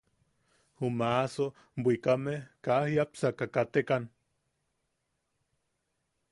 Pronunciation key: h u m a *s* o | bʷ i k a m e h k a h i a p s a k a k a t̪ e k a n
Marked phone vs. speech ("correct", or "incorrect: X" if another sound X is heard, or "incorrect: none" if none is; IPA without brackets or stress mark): correct